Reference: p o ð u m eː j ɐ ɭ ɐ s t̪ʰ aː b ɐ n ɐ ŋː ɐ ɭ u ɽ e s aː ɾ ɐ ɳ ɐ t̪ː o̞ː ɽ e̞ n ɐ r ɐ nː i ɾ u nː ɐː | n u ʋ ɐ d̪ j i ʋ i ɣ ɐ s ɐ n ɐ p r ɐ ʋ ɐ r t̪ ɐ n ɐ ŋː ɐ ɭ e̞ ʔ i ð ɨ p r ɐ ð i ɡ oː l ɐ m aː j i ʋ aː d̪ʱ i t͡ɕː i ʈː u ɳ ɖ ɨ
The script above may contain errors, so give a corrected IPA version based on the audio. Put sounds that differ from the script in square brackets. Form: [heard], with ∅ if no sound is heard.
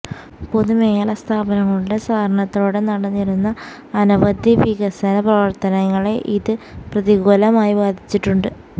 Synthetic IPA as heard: p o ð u m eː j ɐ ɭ ɐ s t̪ʰ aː b ɐ n ɐ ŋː ɐ ɭ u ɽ e s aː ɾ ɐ ɳ ɐ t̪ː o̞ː ɽ e̞ n ɐ [ɽ] ɐ nː i ɾ u nː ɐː | n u ʋ ɐ d̪ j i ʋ i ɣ ɐ s ɐ n ɐ p r ɐ ʋ ɐ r t̪ ɐ n ɐ ŋː ɐ ɭ e̞ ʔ i ð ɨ p r ɐ ð i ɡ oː l ɐ m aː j i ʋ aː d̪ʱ i t͡ɕː i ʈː u ɳ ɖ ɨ